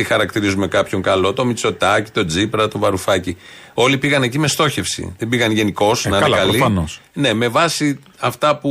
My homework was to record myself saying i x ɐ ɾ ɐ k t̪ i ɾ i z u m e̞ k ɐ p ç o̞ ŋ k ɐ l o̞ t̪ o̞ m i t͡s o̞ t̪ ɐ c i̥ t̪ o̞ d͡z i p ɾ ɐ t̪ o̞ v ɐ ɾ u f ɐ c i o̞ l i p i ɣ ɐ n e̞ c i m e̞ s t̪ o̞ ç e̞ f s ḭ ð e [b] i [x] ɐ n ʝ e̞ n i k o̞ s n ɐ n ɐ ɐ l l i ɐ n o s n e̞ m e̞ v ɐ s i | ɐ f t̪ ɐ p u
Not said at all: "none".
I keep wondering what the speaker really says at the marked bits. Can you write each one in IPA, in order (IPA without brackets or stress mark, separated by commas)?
b, ɣ